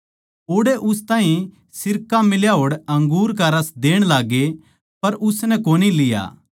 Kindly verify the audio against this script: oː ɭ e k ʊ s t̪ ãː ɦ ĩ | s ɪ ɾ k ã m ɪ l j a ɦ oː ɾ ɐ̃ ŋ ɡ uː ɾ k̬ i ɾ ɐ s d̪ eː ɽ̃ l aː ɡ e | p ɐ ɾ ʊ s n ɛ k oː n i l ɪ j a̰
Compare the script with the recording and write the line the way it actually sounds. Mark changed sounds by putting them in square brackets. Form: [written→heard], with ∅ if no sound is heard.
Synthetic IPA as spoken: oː [ɭ→ɽ] e [k→ʔ] ʊ s t̪ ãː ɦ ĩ | s ɪ ɾ k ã m ɪ l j a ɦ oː [ɾ→ɽ] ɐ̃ ŋ ɡ uː ɾ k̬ [i→a] ɾ ɐ s d̪ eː ɽ̃ l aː ɡ e | p ɐ ɾ ʊ s n ɛ k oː n i l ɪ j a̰

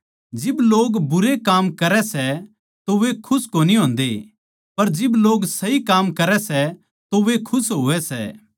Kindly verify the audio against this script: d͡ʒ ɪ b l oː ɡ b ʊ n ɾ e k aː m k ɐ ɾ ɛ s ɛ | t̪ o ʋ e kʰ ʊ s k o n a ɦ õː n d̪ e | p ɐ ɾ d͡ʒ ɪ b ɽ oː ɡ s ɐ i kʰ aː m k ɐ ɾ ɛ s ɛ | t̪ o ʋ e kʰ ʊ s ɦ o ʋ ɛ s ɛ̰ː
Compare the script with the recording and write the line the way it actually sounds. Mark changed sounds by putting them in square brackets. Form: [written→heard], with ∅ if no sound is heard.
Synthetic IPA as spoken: d͡ʒ ɪ b l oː ɡ b ʊ [n→∅] ɾ e k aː m k ɐ ɾ ɛ s ɛ | t̪ o ʋ e kʰ ʊ s k o n [a→i] ɦ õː n d̪ e | p ɐ ɾ d͡ʒ ɪ b [ɽ→l] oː ɡ s ɐ i [kʰ→k] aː m k ɐ ɾ ɛ s ɛ | t̪ o ʋ e kʰ ʊ s ɦ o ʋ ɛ s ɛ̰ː

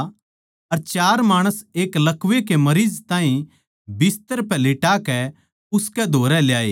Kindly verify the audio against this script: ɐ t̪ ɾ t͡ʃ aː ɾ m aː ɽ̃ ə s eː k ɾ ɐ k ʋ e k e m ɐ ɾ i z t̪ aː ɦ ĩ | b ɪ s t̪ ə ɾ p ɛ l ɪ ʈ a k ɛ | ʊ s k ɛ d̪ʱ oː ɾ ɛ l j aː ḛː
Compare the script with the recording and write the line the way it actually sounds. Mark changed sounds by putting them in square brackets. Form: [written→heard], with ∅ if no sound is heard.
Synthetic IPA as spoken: ɐ [t̪→∅] ɾ t͡ʃ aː ɾ m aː ɽ̃ ə s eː k [ɾ→l] ɐ k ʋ e k e m ɐ ɾ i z t̪ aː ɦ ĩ | b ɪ s t̪ ə ɾ p ɛ l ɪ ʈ a k ɛ | ʊ s k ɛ d̪ʱ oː ɾ ɛ l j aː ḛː

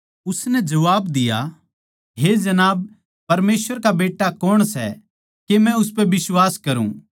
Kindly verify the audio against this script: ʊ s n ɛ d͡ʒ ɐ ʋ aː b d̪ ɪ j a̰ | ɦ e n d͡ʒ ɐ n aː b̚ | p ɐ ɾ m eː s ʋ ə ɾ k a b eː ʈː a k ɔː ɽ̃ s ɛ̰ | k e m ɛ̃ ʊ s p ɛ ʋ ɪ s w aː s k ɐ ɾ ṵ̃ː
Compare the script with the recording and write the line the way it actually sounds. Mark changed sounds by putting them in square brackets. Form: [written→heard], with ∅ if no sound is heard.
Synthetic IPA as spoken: ʊ s n ɛ d͡ʒ ɐ ʋ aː b d̪ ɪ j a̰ | ɦ e [n→∅] d͡ʒ ɐ n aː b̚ | p ɐ ɾ m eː s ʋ ə ɾ k a b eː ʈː a k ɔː ɽ̃ s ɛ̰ | k e m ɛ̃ ʊ s p ɛ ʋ ɪ s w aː s k ɐ ɾ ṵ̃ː

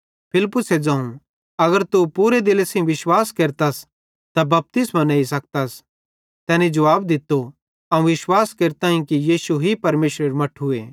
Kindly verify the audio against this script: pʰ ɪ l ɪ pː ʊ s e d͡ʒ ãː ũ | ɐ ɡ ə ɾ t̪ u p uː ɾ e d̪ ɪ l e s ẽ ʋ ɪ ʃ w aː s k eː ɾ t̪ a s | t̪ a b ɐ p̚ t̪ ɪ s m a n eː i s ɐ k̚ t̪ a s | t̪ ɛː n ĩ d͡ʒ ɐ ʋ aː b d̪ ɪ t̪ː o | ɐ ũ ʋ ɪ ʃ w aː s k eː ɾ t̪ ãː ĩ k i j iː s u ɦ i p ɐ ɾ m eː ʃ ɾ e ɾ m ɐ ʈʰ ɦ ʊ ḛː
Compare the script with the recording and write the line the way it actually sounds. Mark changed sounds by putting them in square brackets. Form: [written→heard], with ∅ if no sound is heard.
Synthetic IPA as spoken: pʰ ɪ l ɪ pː ʊ s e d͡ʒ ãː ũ | ɐ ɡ ə ɾ t̪ u p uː ɾ e d̪ ɪ l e s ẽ ʋ ɪ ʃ w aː s k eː ɾ t̪ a s | t̪ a b ɐ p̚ t̪ ɪ s m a n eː i s ɐ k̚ t̪ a s | t̪ ɛː n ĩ d͡ʒ ɐ ʋ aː b d̪ ɪ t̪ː o | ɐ ũ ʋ ɪ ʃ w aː s k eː ɾ t̪ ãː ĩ k i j iː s u ɦ i p ɐ ɾ m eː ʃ ɾ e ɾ m ɐ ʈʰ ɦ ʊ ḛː

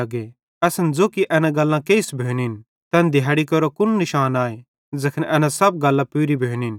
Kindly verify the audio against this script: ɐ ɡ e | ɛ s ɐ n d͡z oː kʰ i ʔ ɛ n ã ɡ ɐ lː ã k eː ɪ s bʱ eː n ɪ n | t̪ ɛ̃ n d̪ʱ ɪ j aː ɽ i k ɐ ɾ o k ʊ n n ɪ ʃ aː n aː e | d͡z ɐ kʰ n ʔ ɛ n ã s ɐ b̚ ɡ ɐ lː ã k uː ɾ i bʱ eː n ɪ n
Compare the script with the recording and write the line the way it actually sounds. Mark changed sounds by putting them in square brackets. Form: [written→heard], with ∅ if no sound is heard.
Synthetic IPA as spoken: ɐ ɡ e | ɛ s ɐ n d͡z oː [kʰ→k] i ʔ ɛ n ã ɡ ɐ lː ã k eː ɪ s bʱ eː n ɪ n | t̪ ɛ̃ n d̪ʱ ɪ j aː ɽ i k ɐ ɾ o k ʊ n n ɪ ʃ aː n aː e | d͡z ɐ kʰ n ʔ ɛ n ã s ɐ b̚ ɡ ɐ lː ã [k→p] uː ɾ i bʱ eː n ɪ n

